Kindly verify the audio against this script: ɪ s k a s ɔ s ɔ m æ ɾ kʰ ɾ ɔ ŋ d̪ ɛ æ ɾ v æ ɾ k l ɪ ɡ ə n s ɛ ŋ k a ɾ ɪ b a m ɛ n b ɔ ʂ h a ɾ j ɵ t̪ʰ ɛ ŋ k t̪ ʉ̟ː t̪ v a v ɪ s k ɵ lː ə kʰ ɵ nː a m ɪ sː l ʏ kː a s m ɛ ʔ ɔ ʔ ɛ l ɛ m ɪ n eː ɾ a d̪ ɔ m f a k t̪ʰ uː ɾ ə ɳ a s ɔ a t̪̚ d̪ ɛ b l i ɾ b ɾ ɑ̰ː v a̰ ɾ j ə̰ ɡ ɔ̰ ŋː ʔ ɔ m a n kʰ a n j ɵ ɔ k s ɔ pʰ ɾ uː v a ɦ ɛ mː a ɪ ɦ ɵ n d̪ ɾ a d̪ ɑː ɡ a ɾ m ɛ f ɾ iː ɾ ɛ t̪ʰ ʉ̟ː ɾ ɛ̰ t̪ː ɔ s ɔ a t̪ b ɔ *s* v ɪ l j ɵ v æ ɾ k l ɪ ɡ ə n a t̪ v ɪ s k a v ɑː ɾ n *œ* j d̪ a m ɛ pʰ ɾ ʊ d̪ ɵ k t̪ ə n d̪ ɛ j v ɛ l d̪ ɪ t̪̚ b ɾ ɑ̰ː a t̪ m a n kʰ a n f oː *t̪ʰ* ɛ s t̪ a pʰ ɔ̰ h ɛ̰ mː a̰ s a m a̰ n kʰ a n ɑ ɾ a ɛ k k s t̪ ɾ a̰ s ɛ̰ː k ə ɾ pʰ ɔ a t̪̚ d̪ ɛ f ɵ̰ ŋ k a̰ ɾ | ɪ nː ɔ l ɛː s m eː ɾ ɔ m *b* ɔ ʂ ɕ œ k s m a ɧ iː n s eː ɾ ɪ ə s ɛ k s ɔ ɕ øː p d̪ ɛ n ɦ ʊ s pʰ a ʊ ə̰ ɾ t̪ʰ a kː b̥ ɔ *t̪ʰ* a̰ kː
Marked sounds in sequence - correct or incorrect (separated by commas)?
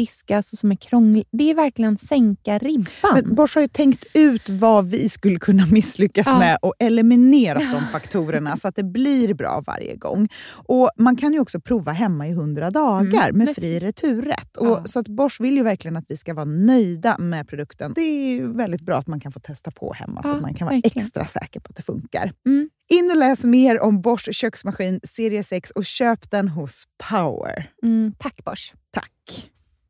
incorrect, correct, correct, correct, correct